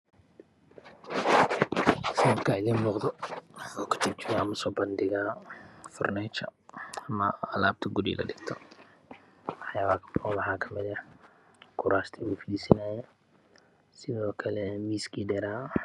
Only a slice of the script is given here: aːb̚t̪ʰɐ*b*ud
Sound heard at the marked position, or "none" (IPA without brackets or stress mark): ɡ